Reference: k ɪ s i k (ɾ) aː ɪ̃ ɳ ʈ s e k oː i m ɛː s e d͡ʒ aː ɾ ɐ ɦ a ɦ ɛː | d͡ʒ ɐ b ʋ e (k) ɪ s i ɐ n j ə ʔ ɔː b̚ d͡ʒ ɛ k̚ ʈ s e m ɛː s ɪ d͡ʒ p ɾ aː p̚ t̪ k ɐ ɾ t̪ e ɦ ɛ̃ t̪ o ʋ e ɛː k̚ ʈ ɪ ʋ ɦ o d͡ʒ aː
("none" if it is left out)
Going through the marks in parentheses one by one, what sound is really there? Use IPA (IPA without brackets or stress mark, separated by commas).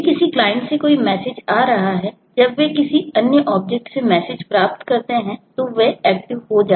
l, k